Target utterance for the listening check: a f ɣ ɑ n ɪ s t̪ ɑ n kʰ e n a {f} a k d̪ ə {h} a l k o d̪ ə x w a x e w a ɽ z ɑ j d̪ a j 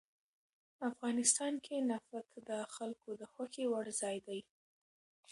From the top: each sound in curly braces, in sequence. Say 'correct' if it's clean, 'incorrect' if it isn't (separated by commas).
correct, incorrect